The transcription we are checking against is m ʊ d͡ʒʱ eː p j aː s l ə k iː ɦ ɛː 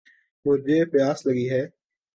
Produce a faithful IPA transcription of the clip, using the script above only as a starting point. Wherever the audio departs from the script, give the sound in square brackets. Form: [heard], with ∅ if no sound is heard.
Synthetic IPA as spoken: m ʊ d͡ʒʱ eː p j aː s l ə [ɡ] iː ɦ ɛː

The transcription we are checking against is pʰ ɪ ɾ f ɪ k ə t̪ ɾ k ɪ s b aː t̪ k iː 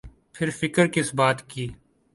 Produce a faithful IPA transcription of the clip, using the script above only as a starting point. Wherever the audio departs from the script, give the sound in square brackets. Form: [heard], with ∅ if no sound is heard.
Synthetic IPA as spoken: pʰ ɪ ɾ f ɪ k ə [∅] ɾ k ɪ s b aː t̪ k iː

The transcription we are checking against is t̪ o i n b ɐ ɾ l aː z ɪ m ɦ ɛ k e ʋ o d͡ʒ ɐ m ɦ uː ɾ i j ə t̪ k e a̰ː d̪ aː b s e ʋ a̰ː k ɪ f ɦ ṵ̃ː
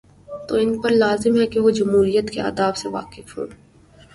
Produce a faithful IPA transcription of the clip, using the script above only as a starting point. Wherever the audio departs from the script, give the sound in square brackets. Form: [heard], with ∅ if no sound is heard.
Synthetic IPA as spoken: t̪ o [ɪ] n [p] ɐ ɾ l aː z ɪ m ɦ ɛ k e ʋ o d͡ʒ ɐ m ɦ uː ɾ i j ə t̪ k e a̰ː d̪ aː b s e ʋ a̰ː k ɪ f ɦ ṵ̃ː

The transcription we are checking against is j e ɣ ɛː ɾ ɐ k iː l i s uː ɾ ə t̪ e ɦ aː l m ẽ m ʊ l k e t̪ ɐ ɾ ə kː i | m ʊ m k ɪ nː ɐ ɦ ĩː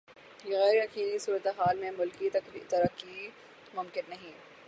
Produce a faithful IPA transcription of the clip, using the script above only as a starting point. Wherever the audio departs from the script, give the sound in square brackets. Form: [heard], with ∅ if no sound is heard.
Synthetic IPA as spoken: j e ɣ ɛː ɾ ɐ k iː l i s uː ɾ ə t̪ e ɦ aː l m ẽ m ʊ l k [i] t̪ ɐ ɾ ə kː i | m ʊ m k ɪ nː ɐ ɦ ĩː

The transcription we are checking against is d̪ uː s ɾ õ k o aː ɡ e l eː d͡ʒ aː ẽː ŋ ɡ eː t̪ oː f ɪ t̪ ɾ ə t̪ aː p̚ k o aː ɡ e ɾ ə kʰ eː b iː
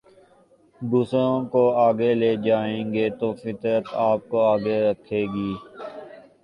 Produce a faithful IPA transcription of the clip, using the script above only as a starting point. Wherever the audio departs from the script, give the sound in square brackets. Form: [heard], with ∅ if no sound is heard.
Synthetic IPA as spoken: d̪ uː s ɾ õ k o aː ɡ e l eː d͡ʒ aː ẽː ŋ ɡ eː t̪ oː f ɪ t̪ ɾ ə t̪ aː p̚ k o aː ɡ e ɾ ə kʰ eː [ɡ] iː

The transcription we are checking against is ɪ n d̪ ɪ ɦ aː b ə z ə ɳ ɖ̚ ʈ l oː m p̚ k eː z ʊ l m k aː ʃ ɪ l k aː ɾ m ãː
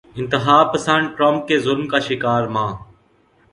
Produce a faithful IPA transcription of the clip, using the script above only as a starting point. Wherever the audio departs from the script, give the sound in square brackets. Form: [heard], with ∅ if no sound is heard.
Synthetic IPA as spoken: ɪ n [t̪] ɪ ɦ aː [p] ə [s] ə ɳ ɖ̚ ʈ [ɾ] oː m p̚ k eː z ʊ l m k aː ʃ ɪ [∅] k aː ɾ m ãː

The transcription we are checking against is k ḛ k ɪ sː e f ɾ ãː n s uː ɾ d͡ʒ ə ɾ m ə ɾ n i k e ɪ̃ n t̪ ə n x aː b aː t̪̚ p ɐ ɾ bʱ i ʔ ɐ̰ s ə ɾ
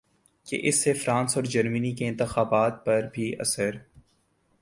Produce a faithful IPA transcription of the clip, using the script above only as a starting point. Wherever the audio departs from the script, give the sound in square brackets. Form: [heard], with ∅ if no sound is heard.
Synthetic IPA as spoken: k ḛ [ʔ] ɪ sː e f ɾ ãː n s [ɔː] ɾ d͡ʒ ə ɾ m ə [∅] n i k e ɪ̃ n t̪ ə [∅] x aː b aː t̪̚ p ɐ ɾ bʱ i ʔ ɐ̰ s ə ɾ

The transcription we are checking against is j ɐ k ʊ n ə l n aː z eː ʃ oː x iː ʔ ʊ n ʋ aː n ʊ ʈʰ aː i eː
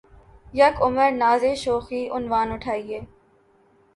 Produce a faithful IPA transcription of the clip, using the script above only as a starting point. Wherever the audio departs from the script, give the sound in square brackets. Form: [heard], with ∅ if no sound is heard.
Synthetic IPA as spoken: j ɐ k ʊ [m] ə [ɾ] n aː z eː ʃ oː x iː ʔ ʊ n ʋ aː n ʊ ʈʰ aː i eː

